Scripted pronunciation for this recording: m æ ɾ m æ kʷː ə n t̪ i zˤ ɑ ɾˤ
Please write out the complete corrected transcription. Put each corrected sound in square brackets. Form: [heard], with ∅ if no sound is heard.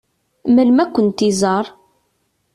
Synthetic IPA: m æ [l] m æ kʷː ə n t̪ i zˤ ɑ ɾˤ

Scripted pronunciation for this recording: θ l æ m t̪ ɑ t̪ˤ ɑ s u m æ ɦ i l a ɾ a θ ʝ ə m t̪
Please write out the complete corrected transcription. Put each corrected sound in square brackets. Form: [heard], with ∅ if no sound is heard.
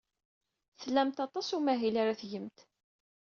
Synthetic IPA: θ l æ m t̪ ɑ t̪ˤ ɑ s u m æ ɦ i l a ɾ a θ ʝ ə m t̪

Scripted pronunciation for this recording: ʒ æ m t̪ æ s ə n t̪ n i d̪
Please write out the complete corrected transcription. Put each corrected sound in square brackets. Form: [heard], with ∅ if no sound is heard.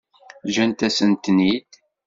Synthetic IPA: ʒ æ [n] t̪ æ s ə n t̪ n i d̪

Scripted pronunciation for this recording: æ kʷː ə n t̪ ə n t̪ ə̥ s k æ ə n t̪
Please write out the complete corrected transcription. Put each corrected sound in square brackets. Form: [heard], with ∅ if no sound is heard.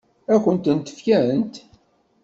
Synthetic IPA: æ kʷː ə n t̪ ə n t̪ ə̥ [f] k æ ə n t̪

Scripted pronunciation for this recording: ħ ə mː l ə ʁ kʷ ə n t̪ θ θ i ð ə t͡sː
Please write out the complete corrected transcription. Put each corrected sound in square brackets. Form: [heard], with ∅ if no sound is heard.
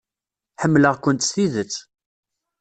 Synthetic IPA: ħ ə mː l ə ʁ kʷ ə n t̪ [s] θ i ð ə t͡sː

